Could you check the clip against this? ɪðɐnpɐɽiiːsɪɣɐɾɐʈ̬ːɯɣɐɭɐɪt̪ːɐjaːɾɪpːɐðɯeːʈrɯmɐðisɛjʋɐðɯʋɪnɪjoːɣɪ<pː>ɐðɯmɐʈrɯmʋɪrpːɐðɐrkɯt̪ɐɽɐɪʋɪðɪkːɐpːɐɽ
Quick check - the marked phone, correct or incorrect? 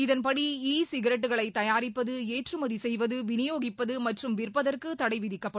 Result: correct